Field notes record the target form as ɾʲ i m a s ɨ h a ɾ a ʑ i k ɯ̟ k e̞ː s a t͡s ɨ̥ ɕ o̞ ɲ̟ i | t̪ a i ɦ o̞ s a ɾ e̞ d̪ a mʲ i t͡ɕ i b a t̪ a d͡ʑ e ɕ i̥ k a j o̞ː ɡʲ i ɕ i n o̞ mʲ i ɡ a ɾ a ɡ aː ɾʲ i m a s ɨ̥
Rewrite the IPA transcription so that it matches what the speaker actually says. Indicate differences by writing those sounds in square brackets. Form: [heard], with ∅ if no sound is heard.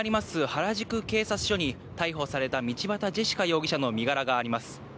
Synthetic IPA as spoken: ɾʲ i m a s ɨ h a ɾ a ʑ i k ɯ̟ k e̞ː s a t͡s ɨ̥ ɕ o̞ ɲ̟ i | t̪ a i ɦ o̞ s a ɾ e̞ [t̪] a mʲ i t͡ɕ i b a t̪ a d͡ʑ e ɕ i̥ k a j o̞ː ɡʲ i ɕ [a] n o̞ mʲ i ɡ a ɾ a ɡ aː ɾʲ i m a s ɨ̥